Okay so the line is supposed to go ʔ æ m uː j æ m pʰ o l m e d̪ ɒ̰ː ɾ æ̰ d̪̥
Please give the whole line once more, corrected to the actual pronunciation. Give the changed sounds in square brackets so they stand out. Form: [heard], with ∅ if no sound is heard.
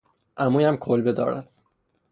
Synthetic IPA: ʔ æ m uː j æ m [kʰ] o l [b] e d̪ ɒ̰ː ɾ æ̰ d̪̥